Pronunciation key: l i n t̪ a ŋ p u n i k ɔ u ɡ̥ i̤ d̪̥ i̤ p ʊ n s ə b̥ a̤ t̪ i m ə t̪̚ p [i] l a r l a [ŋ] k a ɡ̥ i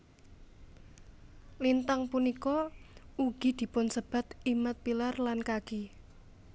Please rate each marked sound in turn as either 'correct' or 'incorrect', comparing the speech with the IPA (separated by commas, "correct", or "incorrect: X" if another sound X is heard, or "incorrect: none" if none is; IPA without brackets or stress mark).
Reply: correct, incorrect: n